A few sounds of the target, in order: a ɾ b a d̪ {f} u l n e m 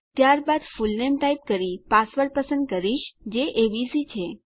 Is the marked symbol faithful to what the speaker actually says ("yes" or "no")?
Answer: yes